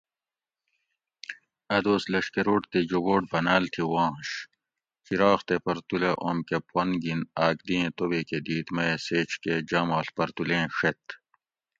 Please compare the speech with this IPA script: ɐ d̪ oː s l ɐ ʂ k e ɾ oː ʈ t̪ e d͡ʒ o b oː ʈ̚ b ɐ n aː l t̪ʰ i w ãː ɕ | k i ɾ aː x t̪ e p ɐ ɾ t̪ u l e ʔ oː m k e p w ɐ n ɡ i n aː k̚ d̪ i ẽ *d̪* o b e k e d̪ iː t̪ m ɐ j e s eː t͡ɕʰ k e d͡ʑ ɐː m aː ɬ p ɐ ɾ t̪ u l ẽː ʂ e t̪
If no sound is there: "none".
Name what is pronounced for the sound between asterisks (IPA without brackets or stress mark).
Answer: t̪